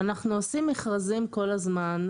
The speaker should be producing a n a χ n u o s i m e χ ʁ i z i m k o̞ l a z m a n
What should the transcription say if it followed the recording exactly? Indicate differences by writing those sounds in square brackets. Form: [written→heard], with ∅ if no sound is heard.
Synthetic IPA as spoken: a n a χ n u o s i m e χ ʁ [i→a] z i m k o̞ l a z m a n

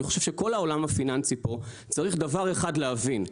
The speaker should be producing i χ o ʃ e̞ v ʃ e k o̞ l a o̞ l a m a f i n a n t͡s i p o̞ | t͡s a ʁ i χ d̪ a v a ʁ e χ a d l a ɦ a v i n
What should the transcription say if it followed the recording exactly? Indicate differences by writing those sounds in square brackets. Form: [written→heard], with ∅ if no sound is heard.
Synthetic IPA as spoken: i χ o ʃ e̞ v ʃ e k o̞ l a o̞ l a m a f i n a n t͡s i p o̞ | t͡s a ʁ i χ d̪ a v a ʁ e χ a d l [a→e] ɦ a v i n

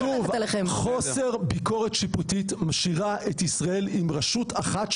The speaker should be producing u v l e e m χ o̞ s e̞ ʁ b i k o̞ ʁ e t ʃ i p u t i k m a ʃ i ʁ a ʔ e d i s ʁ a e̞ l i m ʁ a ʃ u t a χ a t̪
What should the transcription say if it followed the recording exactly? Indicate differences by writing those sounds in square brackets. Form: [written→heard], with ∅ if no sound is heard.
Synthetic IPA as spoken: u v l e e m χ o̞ s e̞ ʁ b i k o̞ ʁ e t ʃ i p u t i [k→t] m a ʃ i ʁ a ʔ e [d→t] i s ʁ a e̞ l i m ʁ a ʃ u t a χ a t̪

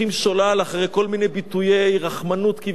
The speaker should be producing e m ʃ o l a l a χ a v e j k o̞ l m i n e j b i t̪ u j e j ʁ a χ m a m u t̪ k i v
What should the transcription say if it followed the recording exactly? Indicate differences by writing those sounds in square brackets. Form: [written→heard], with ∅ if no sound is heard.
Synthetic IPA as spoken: [e→i] m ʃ o l a l a χ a [v→ʁ] e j k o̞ l m i n e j b i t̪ u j e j ʁ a χ m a [m→n] u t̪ k i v

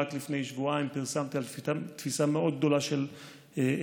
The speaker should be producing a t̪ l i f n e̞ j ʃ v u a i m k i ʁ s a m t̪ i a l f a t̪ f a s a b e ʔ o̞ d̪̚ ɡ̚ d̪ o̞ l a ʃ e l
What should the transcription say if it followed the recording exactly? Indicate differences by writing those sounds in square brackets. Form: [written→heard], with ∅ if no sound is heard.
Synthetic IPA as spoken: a t̪ l i f n e̞ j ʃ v u a i m [k→p] i ʁ s a m t̪ i a l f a t̪ f [a→i] s a [b→m] e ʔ o̞ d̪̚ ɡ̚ d̪ o̞ l a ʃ e l

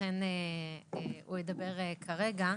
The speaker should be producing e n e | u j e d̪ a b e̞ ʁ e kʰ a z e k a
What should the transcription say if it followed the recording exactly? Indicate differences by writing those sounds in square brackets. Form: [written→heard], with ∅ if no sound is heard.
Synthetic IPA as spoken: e n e | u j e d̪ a b e̞ ʁ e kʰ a [z→ʁ] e [k→ɡ] a

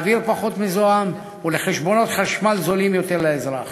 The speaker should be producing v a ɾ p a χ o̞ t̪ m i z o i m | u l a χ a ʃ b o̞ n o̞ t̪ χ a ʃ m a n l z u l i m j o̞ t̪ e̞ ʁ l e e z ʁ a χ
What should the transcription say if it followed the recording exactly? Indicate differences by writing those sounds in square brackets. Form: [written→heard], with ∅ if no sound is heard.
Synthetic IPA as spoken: v [a→i] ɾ p a χ o̞ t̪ m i z o [i→a] m | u l [a→e] χ [a→e] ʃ b o̞ n o̞ t̪ χ a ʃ m a [n→∅] l z [u→o] l i m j o̞ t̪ e̞ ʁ l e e z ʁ a χ

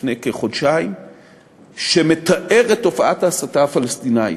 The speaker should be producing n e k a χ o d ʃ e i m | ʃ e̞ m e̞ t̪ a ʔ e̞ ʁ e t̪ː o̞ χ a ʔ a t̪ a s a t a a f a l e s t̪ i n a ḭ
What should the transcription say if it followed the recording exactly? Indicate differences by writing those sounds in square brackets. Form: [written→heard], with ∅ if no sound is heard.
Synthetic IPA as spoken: n e k [a→e] χ o d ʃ [e→a] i m | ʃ e̞ m e̞ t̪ a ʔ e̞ ʁ e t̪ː o̞ [χ→f] a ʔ a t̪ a s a t a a f a l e s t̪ i n a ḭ

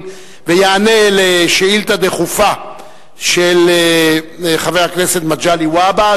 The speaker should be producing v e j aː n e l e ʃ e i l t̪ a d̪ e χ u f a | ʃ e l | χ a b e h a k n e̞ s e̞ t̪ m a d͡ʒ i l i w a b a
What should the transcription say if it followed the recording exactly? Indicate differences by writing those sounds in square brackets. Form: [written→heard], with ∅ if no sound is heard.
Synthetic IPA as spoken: v e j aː n e l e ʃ e i l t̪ a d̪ e χ u f a | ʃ e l | χ a [b→v] e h a k n e̞ s e̞ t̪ m a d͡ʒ [i→a] l i w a b a

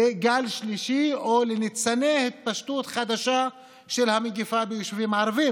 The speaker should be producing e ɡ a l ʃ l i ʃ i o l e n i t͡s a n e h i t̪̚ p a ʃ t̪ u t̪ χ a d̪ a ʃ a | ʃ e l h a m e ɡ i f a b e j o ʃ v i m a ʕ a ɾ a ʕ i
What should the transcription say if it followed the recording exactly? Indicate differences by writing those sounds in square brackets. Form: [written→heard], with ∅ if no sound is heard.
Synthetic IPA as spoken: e ɡ a l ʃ l i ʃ i o l e n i t͡s a n e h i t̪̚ p a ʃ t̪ u t̪ χ a d̪ a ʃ a | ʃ e l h a m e ɡ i f a b e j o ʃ v i m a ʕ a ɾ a [ʕ→v] i

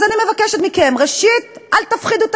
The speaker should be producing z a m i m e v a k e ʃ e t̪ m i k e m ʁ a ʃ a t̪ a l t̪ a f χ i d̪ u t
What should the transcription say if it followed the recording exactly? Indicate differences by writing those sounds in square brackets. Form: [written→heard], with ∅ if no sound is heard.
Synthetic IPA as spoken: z a [m→n] i m e v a k e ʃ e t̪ m i k e m ʁ [a→e] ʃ [a→i] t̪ a l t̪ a f χ i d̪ u t

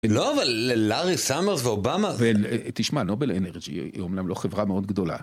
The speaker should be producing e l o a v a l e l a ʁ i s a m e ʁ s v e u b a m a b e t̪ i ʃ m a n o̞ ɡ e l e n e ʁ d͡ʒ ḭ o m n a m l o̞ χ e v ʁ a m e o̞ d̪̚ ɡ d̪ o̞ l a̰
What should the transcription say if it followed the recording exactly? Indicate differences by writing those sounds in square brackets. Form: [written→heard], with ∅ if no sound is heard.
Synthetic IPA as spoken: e l o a v a l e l a ʁ i s a m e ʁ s v e [u→o] b a m a [b→v] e t̪ i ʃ m a n o̞ [ɡ→b] e l e n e ʁ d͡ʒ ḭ o m n a m l o̞ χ e v ʁ a m e o̞ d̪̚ ɡ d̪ o̞ l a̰

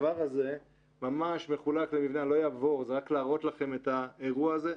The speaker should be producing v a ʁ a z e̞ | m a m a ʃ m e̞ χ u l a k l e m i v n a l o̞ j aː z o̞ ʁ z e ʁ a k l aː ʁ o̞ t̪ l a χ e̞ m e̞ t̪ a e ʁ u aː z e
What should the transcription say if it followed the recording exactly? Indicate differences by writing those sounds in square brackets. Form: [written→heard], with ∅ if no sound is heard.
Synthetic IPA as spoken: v a ʁ a z e̞ | m a m a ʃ m e̞ χ u l a k l e m i v n a l o̞ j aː [z→v] o̞ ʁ z e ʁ a k l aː ʁ o̞ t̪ l a χ e̞ m e̞ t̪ a e ʁ u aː z e

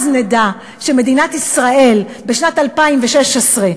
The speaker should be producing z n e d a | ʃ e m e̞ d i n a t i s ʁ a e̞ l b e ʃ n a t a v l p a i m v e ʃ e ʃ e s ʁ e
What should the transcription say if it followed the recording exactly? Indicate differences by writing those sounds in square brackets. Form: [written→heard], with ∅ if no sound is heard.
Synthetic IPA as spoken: z n e d a | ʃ e m e̞ d i n a t i s ʁ a e̞ l b e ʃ n a t a [v→∅] l p a i m v e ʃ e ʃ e s ʁ e

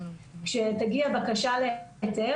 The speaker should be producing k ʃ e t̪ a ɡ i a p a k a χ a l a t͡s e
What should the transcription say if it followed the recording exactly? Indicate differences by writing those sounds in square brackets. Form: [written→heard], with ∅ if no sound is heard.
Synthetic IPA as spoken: k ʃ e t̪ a ɡ i a [p→b] a k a [χ→ʃ] a l [a→e] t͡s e

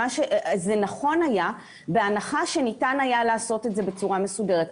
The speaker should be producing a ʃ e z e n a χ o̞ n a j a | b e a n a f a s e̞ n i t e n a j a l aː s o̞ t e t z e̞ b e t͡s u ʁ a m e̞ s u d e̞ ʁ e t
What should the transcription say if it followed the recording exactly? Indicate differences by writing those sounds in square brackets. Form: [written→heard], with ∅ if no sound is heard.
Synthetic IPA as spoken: a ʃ e z e n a χ o̞ n a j a | b e a n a [f→χ] a [s→ʃ] e̞ n i t [e→a] n a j a l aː s o̞ t e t z e̞ b e t͡s u ʁ a m e̞ s u d e̞ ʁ e t

